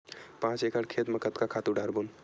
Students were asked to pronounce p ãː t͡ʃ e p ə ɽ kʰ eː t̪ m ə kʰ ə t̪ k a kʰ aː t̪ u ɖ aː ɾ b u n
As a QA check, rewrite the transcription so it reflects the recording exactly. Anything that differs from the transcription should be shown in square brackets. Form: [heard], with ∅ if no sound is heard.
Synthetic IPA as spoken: p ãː t͡ʃ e [k] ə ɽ kʰ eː t̪ m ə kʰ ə t̪ k a kʰ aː t̪ u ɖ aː ɾ b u n